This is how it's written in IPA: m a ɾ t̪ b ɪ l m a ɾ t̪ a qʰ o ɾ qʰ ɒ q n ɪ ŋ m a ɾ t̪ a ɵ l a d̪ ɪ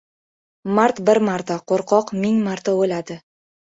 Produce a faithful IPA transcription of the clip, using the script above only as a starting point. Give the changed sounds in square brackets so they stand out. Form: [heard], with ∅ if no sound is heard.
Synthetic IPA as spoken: m a ɾ t̪ b ɪ [ɾ] m a ɾ t̪ a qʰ o ɾ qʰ ɒ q [m] ɪ ŋ m a ɾ t̪ a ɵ l a d̪ ɪ